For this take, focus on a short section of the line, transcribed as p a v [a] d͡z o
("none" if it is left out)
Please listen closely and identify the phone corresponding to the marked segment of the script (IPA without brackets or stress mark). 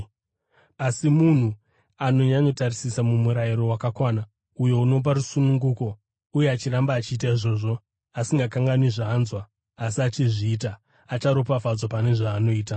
a